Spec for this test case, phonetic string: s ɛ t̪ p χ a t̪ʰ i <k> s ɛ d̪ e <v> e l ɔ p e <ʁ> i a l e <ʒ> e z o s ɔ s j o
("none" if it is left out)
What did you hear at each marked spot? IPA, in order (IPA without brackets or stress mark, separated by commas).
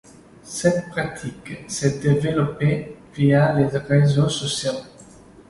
k, v, v, ʁ